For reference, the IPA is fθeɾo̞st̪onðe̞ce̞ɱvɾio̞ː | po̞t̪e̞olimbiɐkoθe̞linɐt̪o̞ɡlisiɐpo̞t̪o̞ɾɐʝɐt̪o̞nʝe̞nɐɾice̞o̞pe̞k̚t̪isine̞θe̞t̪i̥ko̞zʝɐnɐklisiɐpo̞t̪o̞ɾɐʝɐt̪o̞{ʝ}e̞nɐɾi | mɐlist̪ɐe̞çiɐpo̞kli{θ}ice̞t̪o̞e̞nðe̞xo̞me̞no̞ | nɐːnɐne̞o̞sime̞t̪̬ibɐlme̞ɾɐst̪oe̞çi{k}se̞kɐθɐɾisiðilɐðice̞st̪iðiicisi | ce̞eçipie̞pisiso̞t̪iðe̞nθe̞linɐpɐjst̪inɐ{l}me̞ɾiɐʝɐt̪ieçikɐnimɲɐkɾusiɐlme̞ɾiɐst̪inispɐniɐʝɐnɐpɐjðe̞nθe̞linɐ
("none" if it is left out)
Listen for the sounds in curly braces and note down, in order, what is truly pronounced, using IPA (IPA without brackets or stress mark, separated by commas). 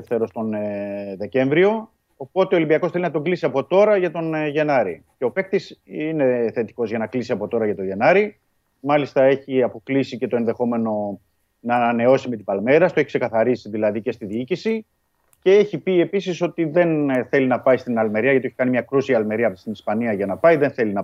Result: ʝ, s, k, l